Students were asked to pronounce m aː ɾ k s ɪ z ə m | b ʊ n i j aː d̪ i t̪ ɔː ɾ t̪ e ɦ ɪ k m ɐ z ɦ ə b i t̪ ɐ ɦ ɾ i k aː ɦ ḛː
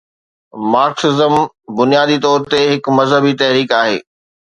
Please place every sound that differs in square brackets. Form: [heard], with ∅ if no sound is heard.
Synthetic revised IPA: m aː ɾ k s ɪ z ə m | b ʊ n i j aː d̪ i t̪ ɔː ɾ t̪ e ɦ ɪ k m ɐ z ɦ ə b i t̪ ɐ ɦ ɾ [iː] k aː ɦ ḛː